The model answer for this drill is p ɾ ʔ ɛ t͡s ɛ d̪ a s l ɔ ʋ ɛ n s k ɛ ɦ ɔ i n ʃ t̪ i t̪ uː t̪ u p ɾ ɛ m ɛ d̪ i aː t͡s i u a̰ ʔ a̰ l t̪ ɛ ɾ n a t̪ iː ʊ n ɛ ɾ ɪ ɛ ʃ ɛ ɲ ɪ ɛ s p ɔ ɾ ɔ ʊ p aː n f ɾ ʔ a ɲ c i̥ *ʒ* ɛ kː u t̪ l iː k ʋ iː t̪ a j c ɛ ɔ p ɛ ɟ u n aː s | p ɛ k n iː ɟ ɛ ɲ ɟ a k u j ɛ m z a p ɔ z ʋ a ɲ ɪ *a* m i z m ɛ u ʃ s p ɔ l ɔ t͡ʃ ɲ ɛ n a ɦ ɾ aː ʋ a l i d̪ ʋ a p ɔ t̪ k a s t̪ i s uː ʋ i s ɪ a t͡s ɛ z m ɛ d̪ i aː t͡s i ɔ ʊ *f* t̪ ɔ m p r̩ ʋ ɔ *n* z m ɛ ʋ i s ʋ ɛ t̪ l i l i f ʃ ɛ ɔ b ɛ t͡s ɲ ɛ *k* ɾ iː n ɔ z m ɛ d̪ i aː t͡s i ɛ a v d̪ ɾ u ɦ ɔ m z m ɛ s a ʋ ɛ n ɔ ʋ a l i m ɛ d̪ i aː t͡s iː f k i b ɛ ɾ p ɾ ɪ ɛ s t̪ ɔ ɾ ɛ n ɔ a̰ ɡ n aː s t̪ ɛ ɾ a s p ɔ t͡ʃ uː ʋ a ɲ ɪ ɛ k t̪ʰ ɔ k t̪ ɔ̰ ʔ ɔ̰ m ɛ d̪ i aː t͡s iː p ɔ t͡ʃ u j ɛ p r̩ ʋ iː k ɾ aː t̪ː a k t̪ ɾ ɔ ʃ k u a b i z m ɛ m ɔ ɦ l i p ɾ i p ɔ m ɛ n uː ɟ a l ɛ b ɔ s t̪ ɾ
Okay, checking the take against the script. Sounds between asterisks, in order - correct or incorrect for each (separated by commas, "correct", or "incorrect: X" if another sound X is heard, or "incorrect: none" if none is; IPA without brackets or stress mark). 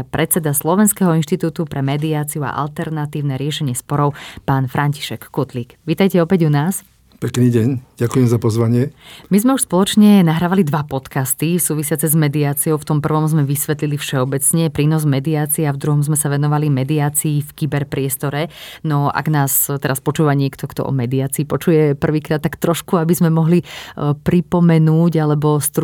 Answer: incorrect: ʃ, incorrect: ɛ, correct, incorrect: m, incorrect: p